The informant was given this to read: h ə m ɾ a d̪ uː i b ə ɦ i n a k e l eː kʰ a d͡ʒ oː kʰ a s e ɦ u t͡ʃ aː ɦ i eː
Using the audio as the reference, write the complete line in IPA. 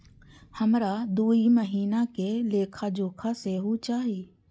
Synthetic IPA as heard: h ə m ɾ a d̪ uː i m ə ɦ iː n a k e l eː kʰ a d͡ʒ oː kʰ a s e ɦ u t͡ʃ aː ɦ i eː